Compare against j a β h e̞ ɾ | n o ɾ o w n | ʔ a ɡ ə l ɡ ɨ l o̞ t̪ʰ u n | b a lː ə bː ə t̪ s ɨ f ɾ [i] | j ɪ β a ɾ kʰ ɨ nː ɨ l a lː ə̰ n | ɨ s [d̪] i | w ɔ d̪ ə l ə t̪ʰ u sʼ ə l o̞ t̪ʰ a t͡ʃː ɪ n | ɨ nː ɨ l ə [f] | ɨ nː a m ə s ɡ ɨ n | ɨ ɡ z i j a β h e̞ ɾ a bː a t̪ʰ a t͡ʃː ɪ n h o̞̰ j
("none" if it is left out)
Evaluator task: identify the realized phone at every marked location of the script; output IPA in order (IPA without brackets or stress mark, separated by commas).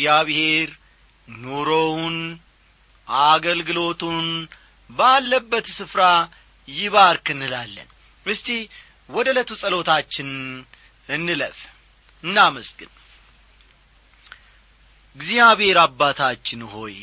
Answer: a, t̪, f